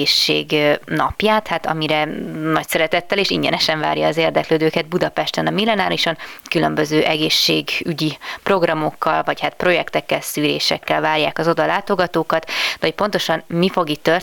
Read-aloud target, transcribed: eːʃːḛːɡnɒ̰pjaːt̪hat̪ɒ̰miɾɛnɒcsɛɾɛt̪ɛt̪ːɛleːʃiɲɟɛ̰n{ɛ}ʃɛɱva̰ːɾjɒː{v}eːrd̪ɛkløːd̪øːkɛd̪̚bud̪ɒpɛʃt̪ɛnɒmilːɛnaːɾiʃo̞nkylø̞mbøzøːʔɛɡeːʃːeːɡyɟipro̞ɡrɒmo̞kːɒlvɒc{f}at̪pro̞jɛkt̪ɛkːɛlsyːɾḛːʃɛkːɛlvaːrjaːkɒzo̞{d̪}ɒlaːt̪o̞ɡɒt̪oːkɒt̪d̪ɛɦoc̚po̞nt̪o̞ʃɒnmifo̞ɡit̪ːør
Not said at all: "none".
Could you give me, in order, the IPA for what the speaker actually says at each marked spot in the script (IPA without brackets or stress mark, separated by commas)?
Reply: ɛ, z, h, d̪